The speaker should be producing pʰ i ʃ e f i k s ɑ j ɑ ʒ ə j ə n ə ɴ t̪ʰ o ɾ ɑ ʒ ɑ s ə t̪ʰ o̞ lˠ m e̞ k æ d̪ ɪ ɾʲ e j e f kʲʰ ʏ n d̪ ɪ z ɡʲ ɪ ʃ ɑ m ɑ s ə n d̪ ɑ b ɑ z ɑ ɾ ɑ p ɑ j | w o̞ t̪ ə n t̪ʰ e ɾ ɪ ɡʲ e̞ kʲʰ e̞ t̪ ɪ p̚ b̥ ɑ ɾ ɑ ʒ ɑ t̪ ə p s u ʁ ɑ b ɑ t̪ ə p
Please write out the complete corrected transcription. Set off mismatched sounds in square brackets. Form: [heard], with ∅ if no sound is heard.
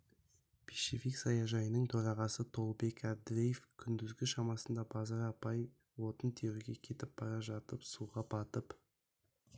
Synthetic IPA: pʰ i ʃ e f i k s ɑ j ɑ ʒ [ɑ] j ə n ə ɴ t̪ʰ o ɾ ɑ [ʁ] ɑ s ə t̪ʰ o̞ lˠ [b] e̞ k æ d̪ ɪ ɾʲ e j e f kʲʰ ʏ n d̪ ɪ z ɡʲ ɪ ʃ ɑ m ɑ s ə n d̪ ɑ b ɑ z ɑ ɾ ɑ p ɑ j | w o̞ t̪ ə n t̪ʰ e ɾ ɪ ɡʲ e̞ kʲʰ e̞ t̪ ɪ p̚ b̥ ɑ ɾ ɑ ʒ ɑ t̪ ə p s u ʁ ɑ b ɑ t̪ ə p